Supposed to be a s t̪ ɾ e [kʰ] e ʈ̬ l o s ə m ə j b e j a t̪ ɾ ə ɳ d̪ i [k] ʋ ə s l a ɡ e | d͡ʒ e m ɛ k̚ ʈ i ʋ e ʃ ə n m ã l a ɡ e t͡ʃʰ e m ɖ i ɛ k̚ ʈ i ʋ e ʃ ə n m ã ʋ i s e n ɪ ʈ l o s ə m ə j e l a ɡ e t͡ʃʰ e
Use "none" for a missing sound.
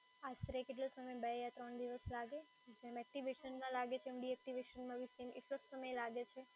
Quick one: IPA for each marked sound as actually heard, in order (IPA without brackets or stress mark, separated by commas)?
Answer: k, none